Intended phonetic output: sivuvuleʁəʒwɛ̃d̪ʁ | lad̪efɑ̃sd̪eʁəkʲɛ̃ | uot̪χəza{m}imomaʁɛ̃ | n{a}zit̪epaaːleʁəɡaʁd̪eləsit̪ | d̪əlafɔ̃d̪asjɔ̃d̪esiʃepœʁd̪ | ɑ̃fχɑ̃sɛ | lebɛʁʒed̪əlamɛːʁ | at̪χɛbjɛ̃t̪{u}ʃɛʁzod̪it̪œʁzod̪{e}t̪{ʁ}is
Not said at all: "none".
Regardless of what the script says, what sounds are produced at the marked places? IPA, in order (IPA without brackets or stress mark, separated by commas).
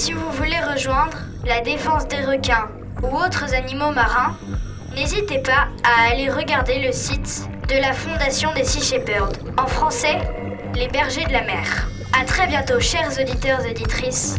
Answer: n, e, o, i, χ